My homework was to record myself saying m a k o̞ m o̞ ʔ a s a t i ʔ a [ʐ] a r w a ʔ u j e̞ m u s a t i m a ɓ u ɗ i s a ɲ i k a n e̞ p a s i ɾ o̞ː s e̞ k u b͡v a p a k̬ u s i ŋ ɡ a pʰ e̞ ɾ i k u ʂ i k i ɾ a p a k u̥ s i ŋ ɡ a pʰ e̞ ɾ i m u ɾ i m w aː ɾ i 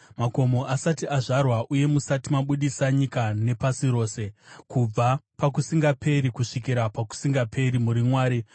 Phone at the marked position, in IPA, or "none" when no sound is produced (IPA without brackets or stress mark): ʐ